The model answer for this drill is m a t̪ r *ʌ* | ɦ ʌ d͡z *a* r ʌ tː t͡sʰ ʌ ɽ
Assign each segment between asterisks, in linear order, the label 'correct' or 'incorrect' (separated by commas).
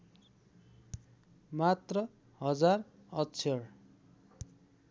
correct, correct